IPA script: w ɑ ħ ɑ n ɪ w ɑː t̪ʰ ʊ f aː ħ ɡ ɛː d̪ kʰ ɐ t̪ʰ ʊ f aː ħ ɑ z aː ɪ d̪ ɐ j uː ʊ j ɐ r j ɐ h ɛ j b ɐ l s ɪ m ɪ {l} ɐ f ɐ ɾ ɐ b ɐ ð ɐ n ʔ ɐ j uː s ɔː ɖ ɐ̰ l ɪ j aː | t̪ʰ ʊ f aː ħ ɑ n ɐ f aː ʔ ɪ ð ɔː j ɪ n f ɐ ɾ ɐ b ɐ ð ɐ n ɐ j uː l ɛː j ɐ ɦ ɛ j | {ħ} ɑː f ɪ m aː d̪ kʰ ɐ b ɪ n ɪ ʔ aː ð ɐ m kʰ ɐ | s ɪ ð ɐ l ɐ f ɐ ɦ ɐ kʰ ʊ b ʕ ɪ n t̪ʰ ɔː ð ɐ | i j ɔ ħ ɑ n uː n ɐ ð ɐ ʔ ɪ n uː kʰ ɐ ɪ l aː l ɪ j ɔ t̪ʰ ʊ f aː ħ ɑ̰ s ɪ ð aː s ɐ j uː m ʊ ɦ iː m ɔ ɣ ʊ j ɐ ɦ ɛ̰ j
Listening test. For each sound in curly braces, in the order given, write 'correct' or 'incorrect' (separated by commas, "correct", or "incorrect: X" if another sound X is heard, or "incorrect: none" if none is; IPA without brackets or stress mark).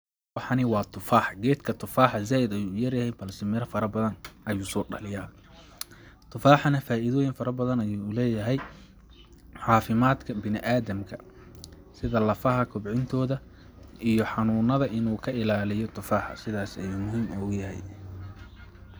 incorrect: ɾ, correct